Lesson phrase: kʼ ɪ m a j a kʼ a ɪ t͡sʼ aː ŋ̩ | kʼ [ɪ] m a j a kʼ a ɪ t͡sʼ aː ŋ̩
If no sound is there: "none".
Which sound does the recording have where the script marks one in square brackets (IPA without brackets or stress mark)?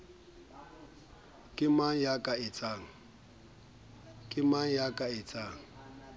ɪ